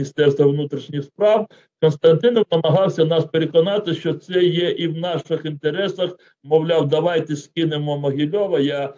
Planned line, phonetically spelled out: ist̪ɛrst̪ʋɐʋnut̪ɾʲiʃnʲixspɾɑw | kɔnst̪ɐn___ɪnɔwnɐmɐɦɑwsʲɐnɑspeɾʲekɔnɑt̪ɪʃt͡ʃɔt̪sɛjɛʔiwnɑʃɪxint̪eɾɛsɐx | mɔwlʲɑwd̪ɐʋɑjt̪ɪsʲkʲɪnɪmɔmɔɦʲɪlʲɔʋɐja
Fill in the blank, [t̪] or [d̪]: t̪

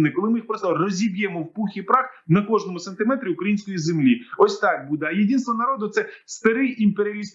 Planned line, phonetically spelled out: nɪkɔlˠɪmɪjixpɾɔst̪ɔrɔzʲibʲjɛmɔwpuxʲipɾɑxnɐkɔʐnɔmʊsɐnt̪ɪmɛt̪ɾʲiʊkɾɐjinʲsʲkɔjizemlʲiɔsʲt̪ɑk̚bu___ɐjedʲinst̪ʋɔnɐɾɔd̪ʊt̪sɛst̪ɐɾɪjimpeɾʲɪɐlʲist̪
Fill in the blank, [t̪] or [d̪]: d̪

